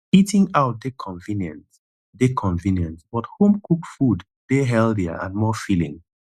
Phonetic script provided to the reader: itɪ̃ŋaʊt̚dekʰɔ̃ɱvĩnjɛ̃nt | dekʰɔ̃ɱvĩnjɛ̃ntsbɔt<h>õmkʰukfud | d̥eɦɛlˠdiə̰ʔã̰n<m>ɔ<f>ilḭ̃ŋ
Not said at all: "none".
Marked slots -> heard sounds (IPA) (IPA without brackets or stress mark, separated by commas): h, m, f